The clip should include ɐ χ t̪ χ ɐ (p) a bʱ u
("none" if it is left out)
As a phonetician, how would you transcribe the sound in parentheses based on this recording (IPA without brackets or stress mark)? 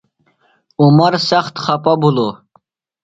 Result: p